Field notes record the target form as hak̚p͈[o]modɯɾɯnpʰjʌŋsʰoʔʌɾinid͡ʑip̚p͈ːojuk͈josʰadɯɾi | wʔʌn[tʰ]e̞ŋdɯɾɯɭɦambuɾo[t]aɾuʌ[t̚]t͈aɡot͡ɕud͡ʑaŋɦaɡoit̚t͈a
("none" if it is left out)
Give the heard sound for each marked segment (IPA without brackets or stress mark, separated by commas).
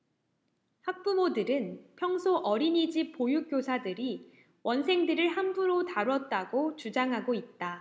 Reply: u, sʰ, t, t̚